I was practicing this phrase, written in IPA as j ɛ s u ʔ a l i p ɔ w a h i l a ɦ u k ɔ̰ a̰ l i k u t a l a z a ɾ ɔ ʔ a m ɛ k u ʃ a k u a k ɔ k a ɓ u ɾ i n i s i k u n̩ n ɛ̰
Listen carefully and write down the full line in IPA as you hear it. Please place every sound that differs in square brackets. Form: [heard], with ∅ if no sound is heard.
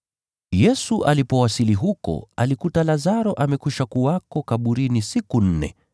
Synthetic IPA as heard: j ɛ s u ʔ a l i p ɔ w a [s] i l [i] ɦ u k ɔ̰ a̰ l i k u t a l a z a ɾ ɔ ʔ a m ɛ k u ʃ a k u a k ɔ k a ɓ u ɾ i n i s i k u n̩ n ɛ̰